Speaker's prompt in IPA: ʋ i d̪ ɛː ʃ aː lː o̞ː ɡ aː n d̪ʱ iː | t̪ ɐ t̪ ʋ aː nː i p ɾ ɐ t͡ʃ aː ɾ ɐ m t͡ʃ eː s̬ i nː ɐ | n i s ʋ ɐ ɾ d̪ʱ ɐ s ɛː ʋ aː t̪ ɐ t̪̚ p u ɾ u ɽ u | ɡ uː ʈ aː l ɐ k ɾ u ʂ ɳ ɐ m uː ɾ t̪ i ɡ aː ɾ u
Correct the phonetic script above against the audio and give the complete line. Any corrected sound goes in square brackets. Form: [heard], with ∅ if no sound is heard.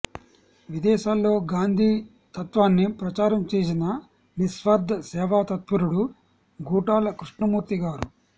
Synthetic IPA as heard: ʋ i d̪ ɛː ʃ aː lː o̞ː ɡ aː n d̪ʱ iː | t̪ ɐ t̪ ʋ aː nː i p ɾ ɐ t͡ʃ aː ɾ ɐ m t͡ʃ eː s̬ i [n] ɐ | n i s ʋ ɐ ɾ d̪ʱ ɐ s ɛː ʋ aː t̪ ɐ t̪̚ p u ɾ u ɽ u | ɡ uː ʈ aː l ɐ k ɾ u ʂ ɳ ɐ m uː ɾ t̪ i ɡ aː ɾ u